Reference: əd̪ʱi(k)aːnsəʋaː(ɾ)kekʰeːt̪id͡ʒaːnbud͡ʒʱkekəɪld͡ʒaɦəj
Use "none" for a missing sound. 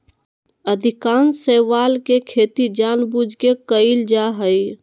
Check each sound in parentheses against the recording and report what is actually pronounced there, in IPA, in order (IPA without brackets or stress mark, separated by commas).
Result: k, l